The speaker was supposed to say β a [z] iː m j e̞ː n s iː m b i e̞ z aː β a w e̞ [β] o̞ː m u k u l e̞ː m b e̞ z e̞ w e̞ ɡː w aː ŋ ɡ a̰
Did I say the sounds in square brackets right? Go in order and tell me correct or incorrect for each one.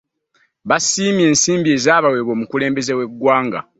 incorrect: s, correct

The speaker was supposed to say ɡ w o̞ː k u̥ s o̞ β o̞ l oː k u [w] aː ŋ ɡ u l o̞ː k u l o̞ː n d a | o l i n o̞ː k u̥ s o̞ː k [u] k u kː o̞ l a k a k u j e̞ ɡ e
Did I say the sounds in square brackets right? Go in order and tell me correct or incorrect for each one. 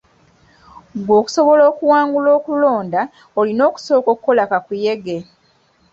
correct, incorrect: o

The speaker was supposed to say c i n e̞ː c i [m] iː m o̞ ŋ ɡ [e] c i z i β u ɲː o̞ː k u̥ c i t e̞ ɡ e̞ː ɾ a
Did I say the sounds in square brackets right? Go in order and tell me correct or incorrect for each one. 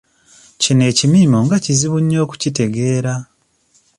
correct, incorrect: a

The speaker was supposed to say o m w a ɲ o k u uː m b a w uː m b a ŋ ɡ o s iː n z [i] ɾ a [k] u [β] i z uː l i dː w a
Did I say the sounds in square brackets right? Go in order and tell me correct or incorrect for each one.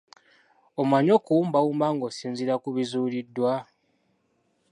correct, correct, correct

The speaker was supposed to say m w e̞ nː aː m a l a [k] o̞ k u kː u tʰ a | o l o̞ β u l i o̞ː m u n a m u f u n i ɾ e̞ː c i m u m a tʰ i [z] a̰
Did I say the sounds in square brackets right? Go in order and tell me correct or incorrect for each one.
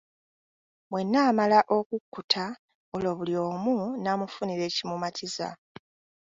incorrect: ʔ, correct

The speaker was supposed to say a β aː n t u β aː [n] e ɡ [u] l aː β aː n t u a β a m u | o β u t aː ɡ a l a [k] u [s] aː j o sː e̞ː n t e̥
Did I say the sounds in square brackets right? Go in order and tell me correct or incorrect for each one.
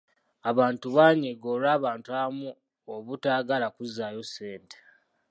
incorrect: ɲ, incorrect: o, correct, incorrect: z

